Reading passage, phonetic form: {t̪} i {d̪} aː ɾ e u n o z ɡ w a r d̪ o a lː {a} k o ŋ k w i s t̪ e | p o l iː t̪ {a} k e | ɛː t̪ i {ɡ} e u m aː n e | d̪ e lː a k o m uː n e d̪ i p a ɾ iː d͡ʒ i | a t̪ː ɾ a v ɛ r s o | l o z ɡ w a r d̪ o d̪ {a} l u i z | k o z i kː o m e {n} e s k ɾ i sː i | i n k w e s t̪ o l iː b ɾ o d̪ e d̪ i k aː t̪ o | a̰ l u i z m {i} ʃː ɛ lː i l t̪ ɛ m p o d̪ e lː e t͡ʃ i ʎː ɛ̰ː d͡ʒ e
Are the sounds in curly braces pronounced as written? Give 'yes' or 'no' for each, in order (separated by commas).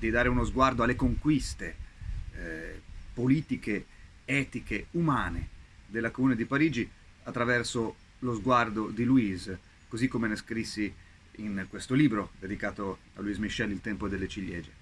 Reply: no, yes, no, no, no, no, yes, yes